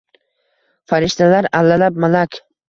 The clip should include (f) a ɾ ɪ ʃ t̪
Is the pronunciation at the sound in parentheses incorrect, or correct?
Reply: correct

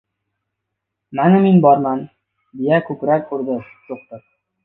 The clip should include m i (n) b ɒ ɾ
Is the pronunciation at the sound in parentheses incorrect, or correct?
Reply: correct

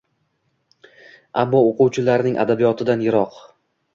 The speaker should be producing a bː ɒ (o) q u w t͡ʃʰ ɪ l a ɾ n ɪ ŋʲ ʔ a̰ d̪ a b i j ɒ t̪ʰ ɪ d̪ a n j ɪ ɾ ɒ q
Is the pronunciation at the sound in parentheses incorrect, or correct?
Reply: correct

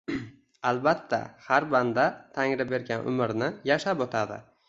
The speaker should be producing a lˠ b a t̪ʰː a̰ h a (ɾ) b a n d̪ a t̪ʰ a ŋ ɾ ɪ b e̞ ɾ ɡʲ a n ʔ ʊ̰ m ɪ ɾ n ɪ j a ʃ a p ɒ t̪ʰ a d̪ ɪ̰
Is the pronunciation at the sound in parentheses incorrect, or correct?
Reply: correct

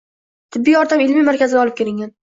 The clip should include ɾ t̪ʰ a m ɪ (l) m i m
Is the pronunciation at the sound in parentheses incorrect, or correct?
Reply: correct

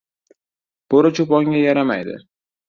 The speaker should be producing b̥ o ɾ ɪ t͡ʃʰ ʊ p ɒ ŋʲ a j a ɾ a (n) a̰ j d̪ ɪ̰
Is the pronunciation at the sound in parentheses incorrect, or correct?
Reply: incorrect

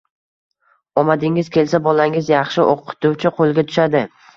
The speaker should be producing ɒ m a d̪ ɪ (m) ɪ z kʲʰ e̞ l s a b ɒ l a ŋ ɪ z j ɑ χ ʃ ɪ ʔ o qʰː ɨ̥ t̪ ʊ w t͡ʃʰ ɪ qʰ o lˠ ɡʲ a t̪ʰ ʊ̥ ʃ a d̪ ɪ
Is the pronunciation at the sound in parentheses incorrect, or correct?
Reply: incorrect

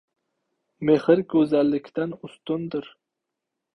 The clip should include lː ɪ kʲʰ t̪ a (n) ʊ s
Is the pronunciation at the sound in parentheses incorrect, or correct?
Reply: correct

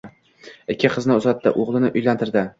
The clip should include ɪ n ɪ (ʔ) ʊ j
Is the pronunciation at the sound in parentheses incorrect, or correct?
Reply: correct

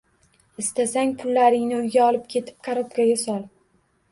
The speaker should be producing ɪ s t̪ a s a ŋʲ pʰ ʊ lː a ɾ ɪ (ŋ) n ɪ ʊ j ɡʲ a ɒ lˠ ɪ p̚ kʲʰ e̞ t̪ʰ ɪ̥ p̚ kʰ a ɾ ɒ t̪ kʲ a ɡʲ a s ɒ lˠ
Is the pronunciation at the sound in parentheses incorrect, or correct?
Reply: correct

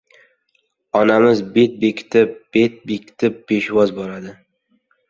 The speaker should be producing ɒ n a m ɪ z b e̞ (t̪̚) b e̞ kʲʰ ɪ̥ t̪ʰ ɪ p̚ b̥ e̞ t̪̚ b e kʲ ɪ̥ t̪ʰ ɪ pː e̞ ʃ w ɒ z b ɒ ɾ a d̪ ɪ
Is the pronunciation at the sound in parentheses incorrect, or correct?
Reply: correct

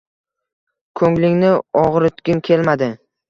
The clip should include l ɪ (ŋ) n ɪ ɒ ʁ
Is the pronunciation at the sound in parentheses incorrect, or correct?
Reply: correct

